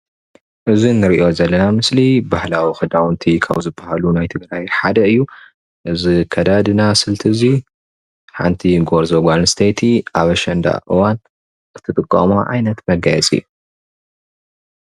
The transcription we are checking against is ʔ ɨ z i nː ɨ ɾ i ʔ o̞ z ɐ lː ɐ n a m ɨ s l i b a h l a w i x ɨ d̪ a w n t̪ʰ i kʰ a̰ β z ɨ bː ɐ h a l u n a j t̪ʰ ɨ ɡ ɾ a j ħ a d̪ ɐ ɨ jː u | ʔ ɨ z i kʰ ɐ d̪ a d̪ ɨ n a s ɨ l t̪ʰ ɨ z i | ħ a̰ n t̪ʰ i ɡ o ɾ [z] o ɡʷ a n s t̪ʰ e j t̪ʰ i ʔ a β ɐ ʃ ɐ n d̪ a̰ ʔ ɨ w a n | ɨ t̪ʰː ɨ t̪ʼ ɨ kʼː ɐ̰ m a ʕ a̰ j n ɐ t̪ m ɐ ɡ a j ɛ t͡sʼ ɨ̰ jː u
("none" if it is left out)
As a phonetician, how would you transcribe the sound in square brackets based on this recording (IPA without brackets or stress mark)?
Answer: z